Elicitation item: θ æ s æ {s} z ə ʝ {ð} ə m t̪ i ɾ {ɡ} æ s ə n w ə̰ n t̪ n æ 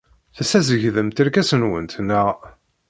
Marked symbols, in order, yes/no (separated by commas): no, yes, no